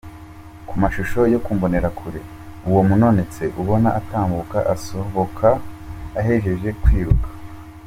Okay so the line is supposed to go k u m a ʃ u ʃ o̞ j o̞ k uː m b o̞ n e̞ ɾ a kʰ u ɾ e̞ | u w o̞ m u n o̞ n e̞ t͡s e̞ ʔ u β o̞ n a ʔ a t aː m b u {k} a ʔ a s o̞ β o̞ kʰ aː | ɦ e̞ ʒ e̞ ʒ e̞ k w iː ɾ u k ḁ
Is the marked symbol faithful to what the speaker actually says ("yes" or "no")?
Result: yes